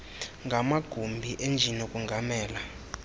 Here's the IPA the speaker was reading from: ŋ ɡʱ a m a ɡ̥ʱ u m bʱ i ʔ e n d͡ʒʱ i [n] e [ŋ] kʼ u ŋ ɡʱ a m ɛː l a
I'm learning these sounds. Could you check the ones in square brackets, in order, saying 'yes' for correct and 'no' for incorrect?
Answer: yes, no

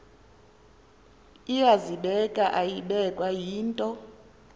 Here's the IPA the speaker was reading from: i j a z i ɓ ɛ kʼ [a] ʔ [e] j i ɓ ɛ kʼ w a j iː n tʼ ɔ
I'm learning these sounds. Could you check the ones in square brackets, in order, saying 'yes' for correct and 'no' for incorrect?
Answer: yes, no

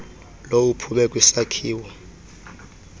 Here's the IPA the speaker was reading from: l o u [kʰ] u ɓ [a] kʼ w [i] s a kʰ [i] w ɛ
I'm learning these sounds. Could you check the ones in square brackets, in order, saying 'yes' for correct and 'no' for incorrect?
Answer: no, no, yes, no

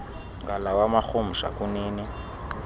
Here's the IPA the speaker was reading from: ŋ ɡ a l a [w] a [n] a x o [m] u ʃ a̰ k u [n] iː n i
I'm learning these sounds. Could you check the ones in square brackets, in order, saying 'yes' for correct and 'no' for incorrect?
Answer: yes, no, yes, yes

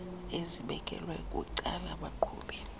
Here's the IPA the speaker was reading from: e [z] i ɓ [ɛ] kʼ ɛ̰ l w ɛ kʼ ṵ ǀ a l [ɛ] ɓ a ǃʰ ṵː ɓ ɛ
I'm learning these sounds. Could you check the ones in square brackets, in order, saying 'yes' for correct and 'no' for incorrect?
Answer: yes, yes, no

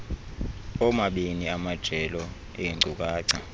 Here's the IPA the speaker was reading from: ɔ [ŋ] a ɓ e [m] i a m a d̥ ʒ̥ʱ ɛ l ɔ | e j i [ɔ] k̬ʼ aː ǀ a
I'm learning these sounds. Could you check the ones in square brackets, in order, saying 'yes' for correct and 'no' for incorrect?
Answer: no, no, no

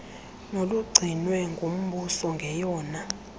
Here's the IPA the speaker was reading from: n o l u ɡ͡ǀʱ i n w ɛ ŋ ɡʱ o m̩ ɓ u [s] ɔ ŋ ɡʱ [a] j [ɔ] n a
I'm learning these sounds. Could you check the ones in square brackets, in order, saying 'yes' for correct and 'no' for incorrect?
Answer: yes, no, no

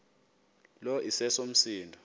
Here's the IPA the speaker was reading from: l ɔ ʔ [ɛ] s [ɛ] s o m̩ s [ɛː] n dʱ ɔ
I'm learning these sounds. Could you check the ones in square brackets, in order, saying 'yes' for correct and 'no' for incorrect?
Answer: no, yes, no

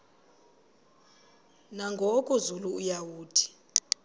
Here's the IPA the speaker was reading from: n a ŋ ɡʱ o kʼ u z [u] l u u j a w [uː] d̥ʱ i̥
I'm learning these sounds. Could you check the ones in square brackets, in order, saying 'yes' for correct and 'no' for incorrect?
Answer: yes, yes

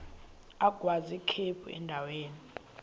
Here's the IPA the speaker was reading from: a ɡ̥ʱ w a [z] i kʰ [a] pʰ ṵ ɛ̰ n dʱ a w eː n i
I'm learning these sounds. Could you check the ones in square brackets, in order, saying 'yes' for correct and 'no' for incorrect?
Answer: yes, no

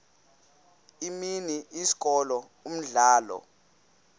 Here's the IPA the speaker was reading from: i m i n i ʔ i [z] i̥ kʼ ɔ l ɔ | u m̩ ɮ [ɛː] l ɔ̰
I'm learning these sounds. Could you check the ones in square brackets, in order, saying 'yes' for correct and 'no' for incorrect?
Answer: no, no

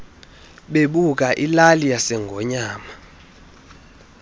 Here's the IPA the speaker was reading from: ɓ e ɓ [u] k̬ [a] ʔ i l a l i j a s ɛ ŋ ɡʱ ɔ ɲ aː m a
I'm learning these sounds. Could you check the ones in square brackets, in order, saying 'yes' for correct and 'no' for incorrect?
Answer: yes, yes

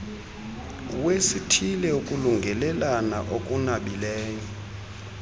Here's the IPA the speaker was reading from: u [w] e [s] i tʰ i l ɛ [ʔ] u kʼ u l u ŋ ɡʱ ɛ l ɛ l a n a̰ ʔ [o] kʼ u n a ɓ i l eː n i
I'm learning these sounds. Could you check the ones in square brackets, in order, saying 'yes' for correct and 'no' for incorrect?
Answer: yes, yes, no, yes

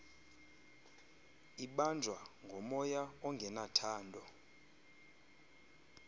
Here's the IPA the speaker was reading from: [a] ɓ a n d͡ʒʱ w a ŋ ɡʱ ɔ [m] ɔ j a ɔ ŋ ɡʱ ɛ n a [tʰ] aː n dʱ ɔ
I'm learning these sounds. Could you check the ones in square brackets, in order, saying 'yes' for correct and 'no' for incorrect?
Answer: no, yes, yes

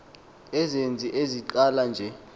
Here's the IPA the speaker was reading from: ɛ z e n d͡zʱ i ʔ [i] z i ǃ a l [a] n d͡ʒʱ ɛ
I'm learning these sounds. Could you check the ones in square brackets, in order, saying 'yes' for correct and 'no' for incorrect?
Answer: no, yes

